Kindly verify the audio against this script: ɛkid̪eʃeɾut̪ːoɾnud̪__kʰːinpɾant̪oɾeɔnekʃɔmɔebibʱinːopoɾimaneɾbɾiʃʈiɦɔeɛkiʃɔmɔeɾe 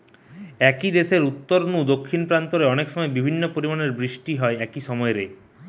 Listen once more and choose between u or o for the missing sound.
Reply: o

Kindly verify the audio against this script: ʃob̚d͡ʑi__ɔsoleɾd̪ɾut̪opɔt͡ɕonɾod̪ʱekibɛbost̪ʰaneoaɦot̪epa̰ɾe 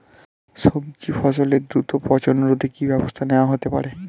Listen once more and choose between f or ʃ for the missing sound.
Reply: f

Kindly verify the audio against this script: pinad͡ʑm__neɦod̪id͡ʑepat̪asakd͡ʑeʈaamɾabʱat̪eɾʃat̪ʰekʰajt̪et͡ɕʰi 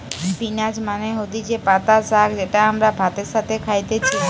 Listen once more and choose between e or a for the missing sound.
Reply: a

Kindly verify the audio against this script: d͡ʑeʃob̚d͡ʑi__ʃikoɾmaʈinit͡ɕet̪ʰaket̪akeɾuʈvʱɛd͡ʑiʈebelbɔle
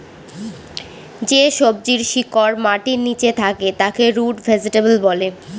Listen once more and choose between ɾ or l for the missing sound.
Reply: ɾ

